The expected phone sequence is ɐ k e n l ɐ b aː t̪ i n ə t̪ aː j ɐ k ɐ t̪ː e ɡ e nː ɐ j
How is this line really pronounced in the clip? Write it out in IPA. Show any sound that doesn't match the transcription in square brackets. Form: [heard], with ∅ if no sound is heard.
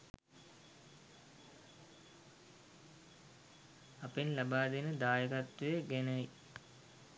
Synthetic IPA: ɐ [p] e n l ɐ b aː [d̪] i n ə [d̪] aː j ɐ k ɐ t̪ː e ɡ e [n] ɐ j